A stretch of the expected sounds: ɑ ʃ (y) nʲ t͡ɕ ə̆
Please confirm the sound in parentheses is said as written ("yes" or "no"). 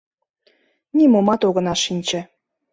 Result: no